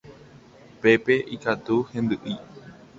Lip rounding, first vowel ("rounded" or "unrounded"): unrounded